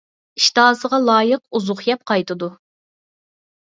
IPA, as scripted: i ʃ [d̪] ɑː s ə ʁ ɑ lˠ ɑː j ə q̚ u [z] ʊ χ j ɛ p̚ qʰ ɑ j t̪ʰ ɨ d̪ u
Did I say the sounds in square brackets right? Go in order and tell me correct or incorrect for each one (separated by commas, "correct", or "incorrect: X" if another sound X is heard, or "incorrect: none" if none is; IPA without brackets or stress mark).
incorrect: t̪, correct